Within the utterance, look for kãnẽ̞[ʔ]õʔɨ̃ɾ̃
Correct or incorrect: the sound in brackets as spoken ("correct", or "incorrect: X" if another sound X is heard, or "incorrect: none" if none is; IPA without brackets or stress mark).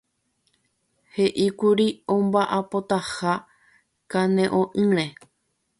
correct